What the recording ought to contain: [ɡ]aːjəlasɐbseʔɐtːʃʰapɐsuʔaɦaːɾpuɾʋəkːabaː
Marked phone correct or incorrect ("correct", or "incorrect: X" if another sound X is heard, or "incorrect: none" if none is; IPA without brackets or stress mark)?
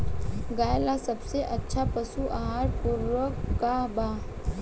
correct